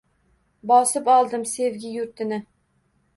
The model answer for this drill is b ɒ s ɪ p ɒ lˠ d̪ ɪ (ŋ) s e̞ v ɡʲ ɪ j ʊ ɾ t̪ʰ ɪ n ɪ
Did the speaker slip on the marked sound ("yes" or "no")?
yes